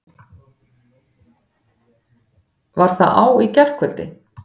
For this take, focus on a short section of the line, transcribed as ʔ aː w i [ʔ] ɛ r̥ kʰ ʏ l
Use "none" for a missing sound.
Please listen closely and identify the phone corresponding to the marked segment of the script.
c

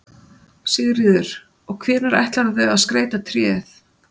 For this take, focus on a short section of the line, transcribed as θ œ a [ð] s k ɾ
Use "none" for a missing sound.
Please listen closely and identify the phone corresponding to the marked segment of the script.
ð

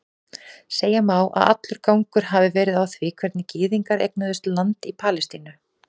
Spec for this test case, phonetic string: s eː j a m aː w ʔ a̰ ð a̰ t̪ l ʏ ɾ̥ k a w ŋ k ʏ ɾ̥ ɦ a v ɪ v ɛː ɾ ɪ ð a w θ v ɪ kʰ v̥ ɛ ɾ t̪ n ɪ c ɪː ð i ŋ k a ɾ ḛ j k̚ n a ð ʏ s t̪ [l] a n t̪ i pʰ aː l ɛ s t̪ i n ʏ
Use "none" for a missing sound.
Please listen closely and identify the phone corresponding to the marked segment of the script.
l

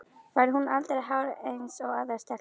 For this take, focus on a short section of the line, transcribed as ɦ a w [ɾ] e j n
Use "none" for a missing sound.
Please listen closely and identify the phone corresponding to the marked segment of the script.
ɾ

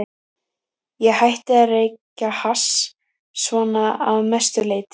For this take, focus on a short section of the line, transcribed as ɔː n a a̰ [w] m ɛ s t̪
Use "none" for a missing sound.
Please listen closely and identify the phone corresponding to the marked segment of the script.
v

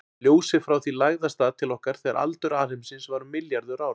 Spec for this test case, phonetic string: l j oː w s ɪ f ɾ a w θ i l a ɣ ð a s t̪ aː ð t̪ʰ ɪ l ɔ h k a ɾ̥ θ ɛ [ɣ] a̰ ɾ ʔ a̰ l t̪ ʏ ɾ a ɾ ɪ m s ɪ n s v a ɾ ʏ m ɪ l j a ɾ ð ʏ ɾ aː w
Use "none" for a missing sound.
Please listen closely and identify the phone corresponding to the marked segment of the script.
ɣ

